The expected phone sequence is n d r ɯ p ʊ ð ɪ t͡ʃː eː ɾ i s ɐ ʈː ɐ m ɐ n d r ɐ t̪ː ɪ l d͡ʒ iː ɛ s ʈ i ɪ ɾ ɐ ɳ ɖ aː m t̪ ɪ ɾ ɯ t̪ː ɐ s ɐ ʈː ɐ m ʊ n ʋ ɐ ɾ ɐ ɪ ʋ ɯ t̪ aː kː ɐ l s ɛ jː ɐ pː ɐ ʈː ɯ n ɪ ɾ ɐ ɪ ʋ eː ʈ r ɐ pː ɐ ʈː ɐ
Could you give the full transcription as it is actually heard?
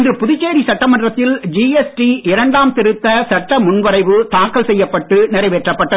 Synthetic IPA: n d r ɯ p ʊ ð ɪ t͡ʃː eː ɾ i s ɐ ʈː ɐ m ɐ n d r ɐ t̪ː ɪ l d͡ʒ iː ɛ s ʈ i ɪ ɾ ɐ ɳ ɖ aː m t̪ ɪ ɾ ɯ t̪ː ɐ s ɐ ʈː ɐ m ʊ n ʋ ɐ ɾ ɐ ɪ ʋ ɯ t̪ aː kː ɐ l s ɛ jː ɐ pː ɐ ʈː ɯ n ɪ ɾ ɐ ɪ ʋ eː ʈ r ɐ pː ɐ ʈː ɐ